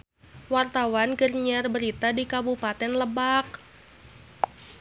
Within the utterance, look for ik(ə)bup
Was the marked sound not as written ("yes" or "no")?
yes